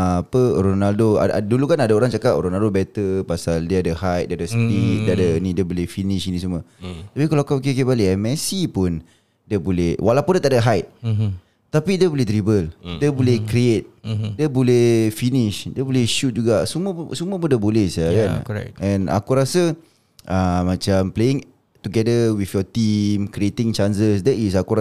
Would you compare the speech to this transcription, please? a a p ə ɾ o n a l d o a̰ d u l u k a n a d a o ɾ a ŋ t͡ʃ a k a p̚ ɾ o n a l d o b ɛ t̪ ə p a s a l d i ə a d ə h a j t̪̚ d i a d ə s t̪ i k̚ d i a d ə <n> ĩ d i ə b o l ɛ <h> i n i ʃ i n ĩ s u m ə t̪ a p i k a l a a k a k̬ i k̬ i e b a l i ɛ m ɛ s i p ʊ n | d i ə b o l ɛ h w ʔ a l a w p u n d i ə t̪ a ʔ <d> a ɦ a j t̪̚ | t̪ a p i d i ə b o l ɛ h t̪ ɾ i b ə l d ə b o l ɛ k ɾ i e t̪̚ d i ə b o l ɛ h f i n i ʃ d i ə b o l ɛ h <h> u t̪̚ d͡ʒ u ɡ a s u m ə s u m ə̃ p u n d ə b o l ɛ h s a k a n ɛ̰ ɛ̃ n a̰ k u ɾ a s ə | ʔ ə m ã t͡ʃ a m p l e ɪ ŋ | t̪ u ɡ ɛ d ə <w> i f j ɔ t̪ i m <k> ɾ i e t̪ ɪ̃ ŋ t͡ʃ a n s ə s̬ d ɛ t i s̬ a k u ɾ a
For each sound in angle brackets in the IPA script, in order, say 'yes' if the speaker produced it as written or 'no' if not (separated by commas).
yes, no, yes, no, yes, yes